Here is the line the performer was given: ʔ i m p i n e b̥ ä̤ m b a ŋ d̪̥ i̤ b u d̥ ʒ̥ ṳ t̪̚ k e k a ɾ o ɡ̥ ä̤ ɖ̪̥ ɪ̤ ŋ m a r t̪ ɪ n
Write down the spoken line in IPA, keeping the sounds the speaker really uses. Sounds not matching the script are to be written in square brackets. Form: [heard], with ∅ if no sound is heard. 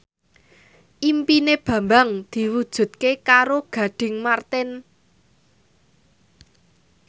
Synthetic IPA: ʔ i m p i n e b̥ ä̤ m b a ŋ d̪̥ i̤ [w] u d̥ ʒ̥ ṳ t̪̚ k e k a ɾ o ɡ̥ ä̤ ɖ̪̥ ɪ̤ ŋ m a r t̪ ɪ n